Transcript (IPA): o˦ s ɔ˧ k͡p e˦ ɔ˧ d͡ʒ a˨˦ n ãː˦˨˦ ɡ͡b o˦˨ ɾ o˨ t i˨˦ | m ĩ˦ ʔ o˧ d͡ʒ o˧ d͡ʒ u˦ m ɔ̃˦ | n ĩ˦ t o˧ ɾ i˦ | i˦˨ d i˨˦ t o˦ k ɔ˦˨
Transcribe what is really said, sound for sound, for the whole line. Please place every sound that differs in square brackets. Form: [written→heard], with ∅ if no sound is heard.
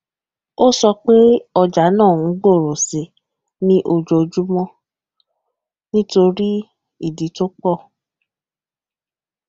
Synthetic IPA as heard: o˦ s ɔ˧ k͡p e˦ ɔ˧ d͡ʒ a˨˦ n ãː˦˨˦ ɡ͡b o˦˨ ɾ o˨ [t→s] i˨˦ | [m→n] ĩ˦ ʔ o˧ d͡ʒ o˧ d͡ʒ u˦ m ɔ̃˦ | n ĩ˦ t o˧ ɾ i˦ | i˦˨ d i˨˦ t o˦ [k→k͡p] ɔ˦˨